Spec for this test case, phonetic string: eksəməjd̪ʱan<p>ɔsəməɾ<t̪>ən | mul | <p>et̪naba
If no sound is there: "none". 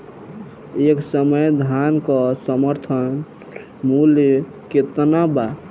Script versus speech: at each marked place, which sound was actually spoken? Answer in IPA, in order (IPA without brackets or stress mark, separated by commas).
k, t̪ʰ, k